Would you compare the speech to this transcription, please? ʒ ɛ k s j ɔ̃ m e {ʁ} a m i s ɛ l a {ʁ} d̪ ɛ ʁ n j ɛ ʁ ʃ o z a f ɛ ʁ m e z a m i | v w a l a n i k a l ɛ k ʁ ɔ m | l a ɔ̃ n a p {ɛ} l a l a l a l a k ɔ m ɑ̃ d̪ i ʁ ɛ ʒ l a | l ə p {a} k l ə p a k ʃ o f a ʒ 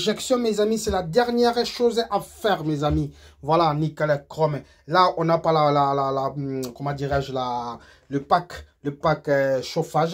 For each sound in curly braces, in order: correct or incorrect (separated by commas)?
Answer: incorrect, incorrect, incorrect, correct